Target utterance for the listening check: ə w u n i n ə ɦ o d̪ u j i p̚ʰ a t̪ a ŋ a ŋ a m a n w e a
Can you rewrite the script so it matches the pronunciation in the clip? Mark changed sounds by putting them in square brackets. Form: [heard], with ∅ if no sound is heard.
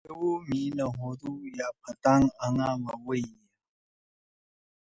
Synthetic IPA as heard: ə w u [m] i n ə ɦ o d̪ u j [a] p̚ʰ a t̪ a ŋ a ŋ a m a [∅] w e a